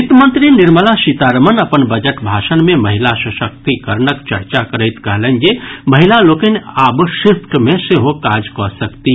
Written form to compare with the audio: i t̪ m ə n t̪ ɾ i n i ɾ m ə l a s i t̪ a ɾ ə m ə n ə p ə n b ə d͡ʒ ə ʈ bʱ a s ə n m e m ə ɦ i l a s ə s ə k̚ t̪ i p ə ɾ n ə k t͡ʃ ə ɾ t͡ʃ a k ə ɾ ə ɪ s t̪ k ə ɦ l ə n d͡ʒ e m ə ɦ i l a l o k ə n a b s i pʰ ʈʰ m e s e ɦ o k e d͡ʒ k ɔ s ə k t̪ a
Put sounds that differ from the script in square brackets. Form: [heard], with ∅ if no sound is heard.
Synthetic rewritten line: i t̪ m ə n t̪ ɾ i n i ɾ m ə l a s i t̪ a ɾ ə m ə n ə p ə n b ə d͡ʒ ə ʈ bʱ a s ə n m e m ə ɦ i l a s ə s ə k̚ t̪ i [k] ə ɾ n ə k t͡ʃ ə ɾ t͡ʃ a k ə ɾ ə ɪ [∅] t̪ k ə ɦ l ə n d͡ʒ e m ə ɦ i l a l o k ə n a b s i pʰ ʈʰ m e s e ɦ o k [a] d͡ʒ k ɔ s ə k t̪ [i]